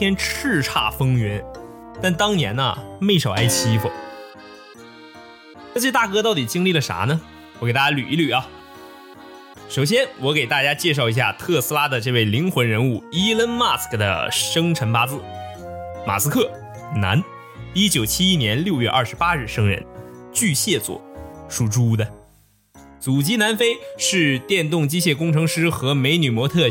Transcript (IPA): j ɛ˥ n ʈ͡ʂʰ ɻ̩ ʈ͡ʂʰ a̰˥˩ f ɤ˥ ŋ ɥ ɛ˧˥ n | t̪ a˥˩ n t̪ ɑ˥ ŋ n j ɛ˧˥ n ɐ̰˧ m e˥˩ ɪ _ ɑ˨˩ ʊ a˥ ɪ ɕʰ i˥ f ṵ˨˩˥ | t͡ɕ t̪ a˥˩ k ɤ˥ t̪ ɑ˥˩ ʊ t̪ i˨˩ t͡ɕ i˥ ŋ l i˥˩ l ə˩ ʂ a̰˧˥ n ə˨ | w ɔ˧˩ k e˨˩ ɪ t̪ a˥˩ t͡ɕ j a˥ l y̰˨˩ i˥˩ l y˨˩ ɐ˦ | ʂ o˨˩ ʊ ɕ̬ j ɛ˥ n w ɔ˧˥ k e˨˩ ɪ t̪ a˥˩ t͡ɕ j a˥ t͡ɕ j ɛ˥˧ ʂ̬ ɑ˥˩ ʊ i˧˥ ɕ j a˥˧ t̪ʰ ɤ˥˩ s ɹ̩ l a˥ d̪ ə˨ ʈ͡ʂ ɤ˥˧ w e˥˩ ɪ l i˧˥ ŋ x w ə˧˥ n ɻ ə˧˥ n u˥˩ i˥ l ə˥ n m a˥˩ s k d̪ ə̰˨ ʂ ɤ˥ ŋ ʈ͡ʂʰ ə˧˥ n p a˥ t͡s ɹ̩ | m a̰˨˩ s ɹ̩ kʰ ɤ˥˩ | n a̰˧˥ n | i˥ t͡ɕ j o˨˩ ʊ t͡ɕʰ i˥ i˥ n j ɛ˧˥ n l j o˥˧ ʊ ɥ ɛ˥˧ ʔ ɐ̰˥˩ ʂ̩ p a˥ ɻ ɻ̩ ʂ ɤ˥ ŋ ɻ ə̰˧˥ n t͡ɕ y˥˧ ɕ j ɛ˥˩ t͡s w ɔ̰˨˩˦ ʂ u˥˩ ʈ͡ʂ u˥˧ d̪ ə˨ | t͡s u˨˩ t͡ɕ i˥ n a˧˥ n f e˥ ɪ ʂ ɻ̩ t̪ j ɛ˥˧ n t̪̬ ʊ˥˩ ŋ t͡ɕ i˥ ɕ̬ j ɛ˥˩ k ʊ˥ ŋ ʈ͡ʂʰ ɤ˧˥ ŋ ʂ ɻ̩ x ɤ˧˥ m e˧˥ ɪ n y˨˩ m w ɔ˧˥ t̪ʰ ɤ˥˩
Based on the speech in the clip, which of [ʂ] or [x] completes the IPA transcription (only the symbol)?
ʂ